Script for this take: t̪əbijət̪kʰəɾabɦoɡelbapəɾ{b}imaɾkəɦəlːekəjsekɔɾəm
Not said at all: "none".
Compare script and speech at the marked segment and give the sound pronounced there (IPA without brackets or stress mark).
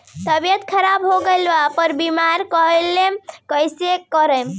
b